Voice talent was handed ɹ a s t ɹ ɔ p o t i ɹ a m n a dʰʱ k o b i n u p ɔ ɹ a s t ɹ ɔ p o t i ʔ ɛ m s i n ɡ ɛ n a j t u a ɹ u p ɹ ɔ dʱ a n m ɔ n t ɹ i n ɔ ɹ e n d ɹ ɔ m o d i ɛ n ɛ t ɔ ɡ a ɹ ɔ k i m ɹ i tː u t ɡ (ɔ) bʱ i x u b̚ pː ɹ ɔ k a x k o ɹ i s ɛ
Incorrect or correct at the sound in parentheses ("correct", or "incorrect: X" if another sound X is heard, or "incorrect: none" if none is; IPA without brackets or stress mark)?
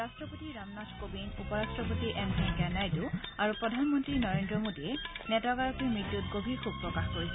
incorrect: o